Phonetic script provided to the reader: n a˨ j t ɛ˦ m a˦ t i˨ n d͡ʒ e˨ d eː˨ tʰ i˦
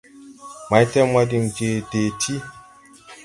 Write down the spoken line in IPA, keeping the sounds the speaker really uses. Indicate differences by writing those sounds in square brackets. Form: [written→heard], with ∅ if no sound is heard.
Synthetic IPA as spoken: [n→m] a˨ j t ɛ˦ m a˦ [t→d] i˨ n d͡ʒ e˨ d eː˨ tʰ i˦